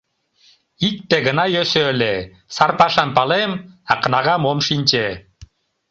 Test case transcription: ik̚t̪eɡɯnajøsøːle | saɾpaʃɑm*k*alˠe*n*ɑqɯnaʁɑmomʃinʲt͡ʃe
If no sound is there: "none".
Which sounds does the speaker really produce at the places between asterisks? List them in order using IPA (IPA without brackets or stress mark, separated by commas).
p, m